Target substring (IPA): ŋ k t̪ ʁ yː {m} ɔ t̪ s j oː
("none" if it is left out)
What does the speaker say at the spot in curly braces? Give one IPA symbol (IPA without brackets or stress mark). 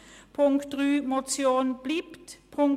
m